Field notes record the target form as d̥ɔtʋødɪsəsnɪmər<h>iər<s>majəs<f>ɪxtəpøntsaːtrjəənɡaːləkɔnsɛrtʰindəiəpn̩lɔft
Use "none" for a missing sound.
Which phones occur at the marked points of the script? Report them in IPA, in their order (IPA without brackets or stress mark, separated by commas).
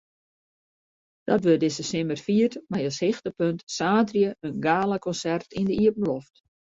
f, t, h